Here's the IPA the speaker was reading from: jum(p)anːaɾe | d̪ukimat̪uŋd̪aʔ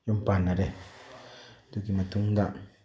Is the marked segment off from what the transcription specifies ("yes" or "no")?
no